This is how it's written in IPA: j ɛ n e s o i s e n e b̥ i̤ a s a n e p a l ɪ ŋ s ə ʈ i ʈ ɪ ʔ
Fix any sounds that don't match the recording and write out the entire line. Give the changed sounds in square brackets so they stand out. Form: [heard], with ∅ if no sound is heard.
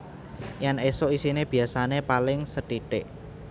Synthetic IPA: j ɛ n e s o i s [i] n e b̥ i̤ a s a n e p a l ɪ ŋ s ə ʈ i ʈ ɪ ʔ